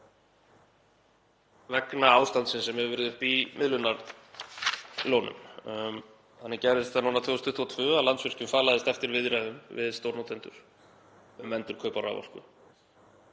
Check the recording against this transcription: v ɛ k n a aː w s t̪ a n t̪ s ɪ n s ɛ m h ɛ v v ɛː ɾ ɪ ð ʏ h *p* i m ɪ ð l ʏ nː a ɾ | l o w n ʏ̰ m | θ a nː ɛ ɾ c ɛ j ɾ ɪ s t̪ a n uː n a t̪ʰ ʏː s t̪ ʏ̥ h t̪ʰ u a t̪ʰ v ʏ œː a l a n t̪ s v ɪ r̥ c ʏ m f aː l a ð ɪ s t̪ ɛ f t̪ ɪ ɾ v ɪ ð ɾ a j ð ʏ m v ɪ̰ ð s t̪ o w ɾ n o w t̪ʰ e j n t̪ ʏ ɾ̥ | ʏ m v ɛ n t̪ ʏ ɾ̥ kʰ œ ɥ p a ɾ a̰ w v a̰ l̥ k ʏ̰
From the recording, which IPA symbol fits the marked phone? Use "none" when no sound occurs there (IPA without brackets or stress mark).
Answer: p